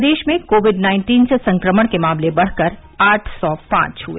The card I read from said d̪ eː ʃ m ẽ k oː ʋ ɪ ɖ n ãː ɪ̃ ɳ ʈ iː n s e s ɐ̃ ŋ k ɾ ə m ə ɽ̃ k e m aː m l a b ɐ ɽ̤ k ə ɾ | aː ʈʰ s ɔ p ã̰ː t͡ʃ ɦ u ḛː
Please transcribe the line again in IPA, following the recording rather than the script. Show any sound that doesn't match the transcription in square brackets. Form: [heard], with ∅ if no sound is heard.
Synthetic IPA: d̪ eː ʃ m ẽ k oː ʋ ɪ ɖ n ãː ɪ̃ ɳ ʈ iː n s e s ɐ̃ ŋ k ɾ ə m ə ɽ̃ k e m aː m l [e] b ɐ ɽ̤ k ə ɾ | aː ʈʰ s ɔ p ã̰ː t͡ʃ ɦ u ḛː